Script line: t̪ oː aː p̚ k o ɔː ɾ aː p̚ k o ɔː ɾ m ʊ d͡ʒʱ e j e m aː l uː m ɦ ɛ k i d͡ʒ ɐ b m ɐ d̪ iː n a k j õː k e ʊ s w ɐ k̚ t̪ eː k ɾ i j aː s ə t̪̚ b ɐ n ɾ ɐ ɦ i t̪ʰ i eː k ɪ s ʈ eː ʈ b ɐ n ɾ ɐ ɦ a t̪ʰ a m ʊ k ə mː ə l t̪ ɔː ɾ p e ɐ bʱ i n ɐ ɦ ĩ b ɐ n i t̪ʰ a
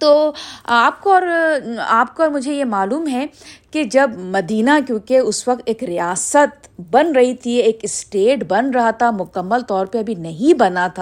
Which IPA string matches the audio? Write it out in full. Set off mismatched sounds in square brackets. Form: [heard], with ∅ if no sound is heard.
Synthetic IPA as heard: t̪ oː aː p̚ k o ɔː ɾ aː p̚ k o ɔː ɾ m ʊ d͡ʒʱ e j e m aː l uː m ɦ ɛ k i d͡ʒ ɐ b m ɐ d̪ iː n a k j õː k e ʊ s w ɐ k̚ t̪ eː k ɾ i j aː s ə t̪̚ b ɐ n ɾ ɐ ɦ i t̪ʰ i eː k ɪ s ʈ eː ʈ b ɐ n ɾ ɐ ɦ a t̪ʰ a m ʊ k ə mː ə l t̪ ɔː ɾ p e ɐ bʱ i n ɐ ɦ ĩ b ɐ n [a] t̪ʰ a